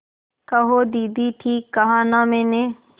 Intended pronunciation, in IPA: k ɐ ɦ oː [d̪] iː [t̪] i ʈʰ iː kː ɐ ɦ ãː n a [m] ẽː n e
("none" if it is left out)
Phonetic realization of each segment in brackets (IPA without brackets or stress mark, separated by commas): d̪, d̪, m